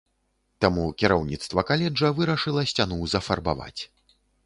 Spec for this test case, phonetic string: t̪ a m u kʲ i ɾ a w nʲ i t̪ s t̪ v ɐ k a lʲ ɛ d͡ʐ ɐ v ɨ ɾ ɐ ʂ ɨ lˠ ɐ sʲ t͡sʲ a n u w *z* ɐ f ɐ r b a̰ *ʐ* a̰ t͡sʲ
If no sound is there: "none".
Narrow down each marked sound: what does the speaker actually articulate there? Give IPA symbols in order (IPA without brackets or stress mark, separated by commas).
z, v